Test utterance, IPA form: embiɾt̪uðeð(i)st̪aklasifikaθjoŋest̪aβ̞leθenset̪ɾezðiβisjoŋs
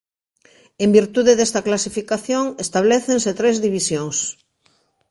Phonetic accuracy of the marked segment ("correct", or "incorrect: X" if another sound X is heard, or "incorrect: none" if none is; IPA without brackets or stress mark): incorrect: e